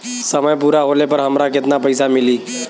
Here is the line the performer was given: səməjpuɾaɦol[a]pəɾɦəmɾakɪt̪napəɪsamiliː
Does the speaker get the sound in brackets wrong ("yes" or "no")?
yes